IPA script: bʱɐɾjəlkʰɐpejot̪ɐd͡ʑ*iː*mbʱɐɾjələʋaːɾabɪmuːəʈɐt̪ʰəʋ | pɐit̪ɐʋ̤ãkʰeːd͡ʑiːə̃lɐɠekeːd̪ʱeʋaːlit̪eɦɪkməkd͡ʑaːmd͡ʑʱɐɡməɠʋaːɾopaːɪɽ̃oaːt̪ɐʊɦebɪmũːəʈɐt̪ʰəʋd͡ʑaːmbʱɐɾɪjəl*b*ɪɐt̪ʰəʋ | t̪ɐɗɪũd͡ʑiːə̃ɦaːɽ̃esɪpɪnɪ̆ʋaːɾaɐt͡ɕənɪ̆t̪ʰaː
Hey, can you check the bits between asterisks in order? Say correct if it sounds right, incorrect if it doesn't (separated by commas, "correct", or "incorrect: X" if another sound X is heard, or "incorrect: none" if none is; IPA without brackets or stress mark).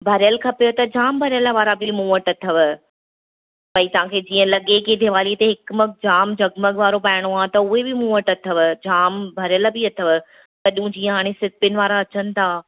incorrect: aː, correct